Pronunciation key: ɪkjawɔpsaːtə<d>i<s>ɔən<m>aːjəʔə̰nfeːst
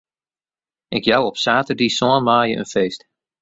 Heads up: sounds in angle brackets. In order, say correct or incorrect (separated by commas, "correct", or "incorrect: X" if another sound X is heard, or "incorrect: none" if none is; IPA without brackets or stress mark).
correct, correct, correct